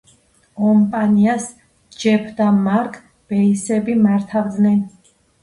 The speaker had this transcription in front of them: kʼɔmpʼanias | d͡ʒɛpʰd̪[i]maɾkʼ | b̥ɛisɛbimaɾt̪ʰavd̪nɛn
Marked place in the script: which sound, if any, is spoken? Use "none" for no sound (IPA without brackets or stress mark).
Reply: a